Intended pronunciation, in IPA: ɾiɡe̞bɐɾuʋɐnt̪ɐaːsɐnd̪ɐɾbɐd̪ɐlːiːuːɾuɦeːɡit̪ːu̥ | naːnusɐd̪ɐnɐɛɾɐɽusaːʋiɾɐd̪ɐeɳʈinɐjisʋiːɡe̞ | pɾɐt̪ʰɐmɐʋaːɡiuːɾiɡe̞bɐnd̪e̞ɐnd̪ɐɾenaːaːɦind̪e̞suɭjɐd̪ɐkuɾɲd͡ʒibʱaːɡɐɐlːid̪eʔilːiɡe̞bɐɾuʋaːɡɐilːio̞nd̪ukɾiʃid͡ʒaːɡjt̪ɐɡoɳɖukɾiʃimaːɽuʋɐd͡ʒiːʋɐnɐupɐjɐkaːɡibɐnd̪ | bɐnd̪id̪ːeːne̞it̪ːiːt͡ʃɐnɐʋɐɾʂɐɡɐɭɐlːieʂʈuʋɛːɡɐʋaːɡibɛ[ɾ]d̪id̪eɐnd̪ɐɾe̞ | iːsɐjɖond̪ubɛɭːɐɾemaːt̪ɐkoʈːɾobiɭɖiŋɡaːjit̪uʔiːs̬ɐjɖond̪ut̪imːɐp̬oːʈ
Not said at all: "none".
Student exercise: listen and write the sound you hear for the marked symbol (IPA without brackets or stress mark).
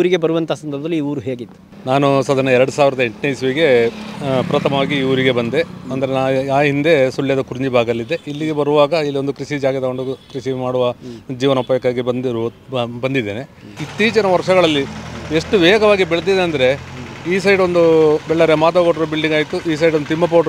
ɭ